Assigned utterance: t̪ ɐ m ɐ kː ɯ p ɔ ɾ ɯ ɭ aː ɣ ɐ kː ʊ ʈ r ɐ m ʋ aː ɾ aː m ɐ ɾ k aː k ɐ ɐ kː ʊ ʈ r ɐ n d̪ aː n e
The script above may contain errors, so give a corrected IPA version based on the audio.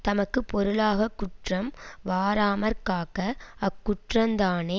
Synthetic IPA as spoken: t̪ ɐ m ɐ kː ɯ p ɔ ɾ ɯ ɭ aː ɣ ɐ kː ʊ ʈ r ɐ m ʋ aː ɾ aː m ɐ ɾ k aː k ɐ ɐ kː ʊ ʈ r ɐ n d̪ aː n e

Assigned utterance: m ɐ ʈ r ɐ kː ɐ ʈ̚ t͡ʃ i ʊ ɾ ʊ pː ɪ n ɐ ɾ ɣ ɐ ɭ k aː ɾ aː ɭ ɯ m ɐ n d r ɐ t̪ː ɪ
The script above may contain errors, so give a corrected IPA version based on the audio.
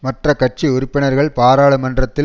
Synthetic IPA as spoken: m ɐ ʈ r ɐ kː ɐ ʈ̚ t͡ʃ i ʊ ɾ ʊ pː ɪ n ɐ ɾ ɣ ɐ ɭ p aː ɾ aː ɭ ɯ m ɐ n d r ɐ t̪ː ɪ

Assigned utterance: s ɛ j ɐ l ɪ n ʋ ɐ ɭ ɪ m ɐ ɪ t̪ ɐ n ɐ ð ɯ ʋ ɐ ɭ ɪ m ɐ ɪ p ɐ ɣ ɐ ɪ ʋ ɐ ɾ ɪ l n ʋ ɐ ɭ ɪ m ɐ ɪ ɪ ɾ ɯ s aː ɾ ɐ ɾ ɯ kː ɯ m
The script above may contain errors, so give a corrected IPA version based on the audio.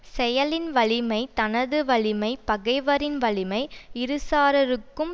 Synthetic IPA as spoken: s ɛ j ɐ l ɪ n ʋ ɐ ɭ ɪ m ɐ ɪ t̪ ɐ n ɐ ð ɯ ʋ ɐ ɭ ɪ m ɐ ɪ p ɐ ɣ ɐ ɪ ʋ ɐ ɾ ɪ n ʋ ɐ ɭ ɪ m ɐ ɪ ɪ ɾ ɯ s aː ɾ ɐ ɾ ɯ kː ɯ m

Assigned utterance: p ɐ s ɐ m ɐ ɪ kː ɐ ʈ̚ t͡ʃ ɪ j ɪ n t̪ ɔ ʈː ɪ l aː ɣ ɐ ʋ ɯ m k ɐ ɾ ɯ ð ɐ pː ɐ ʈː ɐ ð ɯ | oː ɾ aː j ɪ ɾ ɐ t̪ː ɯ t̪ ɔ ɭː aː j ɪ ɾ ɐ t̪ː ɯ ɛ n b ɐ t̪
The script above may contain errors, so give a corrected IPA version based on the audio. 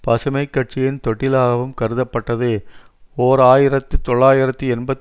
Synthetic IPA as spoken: p ɐ s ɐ m ɐ ɪ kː ɐ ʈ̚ t͡ʃ ɪ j ɪ n t̪ ɔ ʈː ɪ l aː ɣ ɐ ʋ ɯ m k ɐ ɾ ɯ ð ɐ pː ɐ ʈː ɐ ð ɯ | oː ɾ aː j ɪ ɾ ɐ t̪ː ɯ t̪ ɔ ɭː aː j ɪ ɾ ɐ t̪ː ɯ ɛ n b ɐ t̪

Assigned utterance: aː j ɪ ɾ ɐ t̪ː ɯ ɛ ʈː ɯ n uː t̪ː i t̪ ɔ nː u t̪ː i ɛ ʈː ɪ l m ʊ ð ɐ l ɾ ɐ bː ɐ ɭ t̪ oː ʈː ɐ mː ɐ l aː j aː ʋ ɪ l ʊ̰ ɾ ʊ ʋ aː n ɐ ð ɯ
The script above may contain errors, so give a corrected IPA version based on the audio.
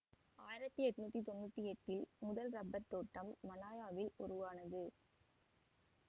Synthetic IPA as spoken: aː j ɪ ɾ ɐ t̪ː ɯ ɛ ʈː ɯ n uː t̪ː i t̪ ɔ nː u t̪ː i ɛ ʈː ɪ l m ʊ ð ɐ l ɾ ɐ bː ɐ ɾ t̪ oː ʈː ɐ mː ɐ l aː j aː ʋ ɪ l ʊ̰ ɾ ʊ ʋ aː n ɐ ð ɯ

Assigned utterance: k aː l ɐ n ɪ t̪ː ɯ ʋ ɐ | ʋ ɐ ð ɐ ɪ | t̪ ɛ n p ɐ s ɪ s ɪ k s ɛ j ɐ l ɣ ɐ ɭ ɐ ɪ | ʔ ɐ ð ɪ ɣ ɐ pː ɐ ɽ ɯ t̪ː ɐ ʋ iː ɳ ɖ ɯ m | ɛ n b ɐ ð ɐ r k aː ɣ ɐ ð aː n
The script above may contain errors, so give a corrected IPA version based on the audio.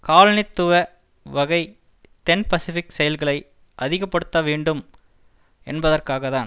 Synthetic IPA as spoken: k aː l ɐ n ɪ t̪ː ɯ ʋ ɐ | ʋ ɐ ɣ ɐ ɪ | t̪ ɛ n p ɐ s ɪ f ɪ k s ɛ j ɐ l ɣ ɐ ɭ ɐ ɪ | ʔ ɐ ð ɪ ɣ ɐ pː ɐ ɽ ɯ t̪ː ɐ ʋ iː ɳ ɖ ɯ m | ɛ n b ɐ ð ɐ r k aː ɣ ɐ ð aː n

